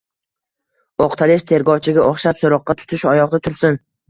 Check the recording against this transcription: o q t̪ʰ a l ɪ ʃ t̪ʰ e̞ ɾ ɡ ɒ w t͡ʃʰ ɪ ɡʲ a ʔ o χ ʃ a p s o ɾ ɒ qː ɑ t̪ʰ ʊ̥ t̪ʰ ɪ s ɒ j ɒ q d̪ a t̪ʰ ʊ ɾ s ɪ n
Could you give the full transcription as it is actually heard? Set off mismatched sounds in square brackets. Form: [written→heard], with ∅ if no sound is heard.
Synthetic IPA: o q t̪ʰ a l ɪ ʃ t̪ʰ e̞ ɾ ɡ ɒ w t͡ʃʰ ɪ ɡʲ a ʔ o χ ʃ a p s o ɾ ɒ qː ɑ t̪ʰ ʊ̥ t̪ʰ ɪ [s→ʃ] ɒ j ɒ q d̪ a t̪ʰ ʊ ɾ s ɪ n